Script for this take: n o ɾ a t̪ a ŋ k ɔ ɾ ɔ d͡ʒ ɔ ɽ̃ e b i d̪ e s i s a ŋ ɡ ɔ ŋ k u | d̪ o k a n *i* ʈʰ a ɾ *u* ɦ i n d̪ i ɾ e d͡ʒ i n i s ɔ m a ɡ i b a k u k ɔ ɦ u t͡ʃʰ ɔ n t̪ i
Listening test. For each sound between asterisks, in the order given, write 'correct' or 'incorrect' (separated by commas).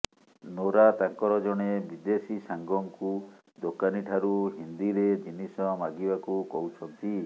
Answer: correct, correct